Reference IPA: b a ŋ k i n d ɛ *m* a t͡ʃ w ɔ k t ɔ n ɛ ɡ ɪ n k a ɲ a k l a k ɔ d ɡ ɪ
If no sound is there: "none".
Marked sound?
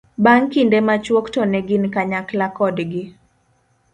m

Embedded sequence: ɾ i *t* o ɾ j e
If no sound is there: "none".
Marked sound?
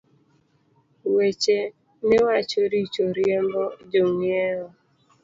t͡ʃ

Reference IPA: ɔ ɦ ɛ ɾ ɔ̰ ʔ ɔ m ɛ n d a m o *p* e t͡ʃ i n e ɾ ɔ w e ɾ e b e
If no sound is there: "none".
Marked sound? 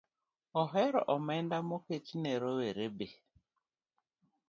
k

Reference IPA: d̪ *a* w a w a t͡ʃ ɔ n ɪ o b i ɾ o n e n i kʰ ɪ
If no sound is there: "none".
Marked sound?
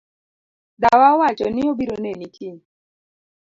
a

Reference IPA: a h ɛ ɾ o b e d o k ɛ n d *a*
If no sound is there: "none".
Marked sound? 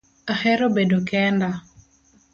a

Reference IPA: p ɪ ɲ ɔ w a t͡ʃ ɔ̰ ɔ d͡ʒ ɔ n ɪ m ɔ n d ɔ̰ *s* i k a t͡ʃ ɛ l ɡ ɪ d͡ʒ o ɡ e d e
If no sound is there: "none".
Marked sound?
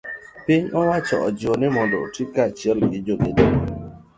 t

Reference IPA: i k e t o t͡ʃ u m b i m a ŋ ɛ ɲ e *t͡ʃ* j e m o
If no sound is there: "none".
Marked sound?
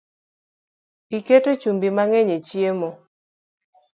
t͡ʃ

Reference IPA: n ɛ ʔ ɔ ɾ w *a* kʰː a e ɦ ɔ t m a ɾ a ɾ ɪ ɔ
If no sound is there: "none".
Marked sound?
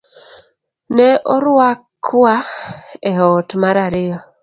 a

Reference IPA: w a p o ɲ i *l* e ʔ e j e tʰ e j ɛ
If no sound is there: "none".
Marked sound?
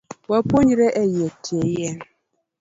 ɾ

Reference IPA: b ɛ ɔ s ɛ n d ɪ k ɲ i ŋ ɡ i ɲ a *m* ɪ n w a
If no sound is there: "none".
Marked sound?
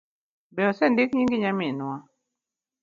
m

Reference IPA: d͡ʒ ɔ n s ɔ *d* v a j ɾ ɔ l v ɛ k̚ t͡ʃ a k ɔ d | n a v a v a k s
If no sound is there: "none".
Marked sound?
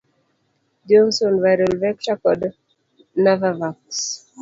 n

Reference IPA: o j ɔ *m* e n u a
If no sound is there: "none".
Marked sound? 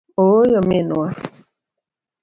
m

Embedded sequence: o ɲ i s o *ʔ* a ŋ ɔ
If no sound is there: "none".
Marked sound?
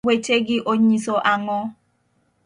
ʔ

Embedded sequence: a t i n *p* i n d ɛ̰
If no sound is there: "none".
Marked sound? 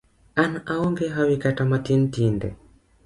t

